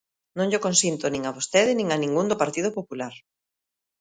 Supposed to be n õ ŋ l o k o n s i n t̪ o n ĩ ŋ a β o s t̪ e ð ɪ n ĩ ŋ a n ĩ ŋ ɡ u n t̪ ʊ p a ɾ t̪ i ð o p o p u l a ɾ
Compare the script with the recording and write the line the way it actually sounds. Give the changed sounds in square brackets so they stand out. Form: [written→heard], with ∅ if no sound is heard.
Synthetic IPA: n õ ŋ [l→ʎ] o k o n s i n t̪ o n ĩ ŋ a β o s t̪ e ð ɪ n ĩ ŋ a n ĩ ŋ ɡ u n [t̪→d̪] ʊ p a ɾ t̪ i ð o p o p u l a ɾ